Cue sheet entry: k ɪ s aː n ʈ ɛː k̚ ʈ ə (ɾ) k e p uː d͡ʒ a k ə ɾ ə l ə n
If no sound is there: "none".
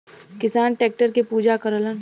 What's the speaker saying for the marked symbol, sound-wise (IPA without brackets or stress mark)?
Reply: ɾ